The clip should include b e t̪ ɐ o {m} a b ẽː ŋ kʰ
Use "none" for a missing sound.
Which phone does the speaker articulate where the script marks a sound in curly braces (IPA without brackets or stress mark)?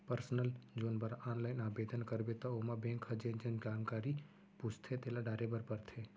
m